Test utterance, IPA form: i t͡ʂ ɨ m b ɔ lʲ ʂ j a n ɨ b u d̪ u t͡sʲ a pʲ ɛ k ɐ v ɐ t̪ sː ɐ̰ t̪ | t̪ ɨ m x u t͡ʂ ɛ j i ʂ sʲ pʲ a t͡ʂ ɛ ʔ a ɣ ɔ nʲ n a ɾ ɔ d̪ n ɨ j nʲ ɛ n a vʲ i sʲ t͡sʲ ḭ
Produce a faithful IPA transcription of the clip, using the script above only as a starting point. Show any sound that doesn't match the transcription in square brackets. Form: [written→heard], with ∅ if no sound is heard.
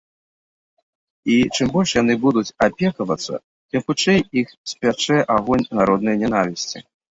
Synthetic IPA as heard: i t͡ʂ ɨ m b ɔ lʲ ʂ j a n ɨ b u d̪ u t͡sʲ a pʲ ɛ k ɐ v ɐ t̪ sː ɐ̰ [t̪→∅] | t̪ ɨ m x u t͡ʂ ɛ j i [ʂ→x] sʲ pʲ a t͡ʂ ɛ ʔ a ɣ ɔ nʲ n a ɾ ɔ d̪ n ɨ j nʲ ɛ n a vʲ i sʲ t͡sʲ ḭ